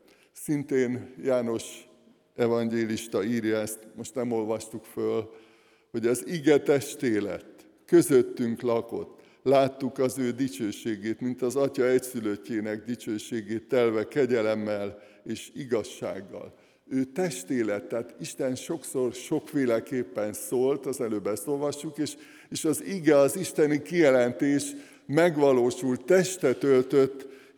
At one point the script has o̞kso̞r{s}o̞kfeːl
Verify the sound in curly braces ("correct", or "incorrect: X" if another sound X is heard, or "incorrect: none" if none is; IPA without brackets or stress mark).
incorrect: ʃ